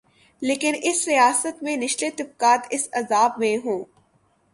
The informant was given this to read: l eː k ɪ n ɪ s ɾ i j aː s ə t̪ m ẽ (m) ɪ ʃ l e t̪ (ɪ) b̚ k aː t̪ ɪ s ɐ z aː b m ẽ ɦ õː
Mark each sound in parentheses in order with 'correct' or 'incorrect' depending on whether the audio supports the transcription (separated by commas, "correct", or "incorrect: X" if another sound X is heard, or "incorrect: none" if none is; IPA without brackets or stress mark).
incorrect: n, correct